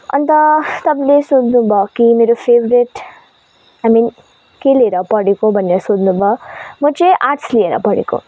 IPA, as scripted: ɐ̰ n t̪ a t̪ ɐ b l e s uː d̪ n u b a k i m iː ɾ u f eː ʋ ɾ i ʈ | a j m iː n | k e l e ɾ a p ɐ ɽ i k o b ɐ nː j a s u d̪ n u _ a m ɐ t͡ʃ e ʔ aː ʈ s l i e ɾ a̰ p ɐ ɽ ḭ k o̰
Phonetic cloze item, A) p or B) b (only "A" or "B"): B